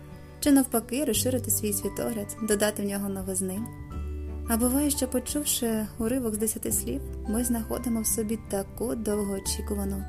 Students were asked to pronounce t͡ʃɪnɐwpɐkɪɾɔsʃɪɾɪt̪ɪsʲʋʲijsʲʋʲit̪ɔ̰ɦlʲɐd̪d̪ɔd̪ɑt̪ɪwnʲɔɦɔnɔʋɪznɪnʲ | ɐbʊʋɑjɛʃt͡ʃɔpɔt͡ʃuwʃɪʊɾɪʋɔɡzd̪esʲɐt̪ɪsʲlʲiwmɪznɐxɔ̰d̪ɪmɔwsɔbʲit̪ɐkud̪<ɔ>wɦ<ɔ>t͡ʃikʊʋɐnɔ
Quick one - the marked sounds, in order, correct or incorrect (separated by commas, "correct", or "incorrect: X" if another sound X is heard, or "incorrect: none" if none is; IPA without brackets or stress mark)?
correct, incorrect: ɔː